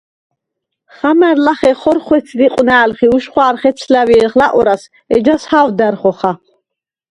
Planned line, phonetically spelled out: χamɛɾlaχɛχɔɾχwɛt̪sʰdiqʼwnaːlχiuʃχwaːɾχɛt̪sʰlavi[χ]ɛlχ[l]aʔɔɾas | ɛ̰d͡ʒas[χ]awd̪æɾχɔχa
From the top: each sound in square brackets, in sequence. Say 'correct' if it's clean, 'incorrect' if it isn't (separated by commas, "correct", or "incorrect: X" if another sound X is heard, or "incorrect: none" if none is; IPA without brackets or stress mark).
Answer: incorrect: none, correct, incorrect: h